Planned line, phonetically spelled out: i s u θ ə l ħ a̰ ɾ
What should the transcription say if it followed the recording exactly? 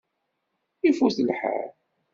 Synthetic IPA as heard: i f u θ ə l ħ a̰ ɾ